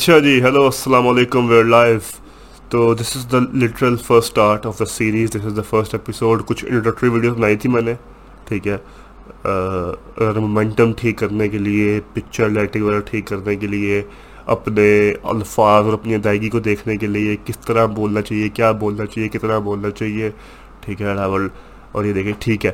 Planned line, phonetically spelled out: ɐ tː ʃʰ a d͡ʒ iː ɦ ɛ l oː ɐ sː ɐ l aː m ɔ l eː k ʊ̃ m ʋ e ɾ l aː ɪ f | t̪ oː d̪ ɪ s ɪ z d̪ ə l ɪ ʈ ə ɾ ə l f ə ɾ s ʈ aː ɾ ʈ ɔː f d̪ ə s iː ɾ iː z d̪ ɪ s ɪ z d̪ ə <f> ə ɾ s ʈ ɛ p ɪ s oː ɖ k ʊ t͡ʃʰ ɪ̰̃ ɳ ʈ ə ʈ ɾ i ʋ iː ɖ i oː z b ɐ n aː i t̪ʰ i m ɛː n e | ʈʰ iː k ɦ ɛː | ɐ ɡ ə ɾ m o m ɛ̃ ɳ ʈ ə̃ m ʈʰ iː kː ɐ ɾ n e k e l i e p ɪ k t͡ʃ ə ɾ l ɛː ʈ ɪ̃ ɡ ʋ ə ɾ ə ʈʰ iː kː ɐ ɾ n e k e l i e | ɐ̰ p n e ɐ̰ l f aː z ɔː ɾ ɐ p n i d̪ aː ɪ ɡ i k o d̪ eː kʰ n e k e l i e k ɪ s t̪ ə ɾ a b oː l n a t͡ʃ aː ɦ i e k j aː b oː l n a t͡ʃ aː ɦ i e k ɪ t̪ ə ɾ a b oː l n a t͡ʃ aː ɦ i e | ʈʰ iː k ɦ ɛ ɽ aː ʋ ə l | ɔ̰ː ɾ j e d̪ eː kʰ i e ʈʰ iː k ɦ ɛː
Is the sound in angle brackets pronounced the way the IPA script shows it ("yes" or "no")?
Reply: yes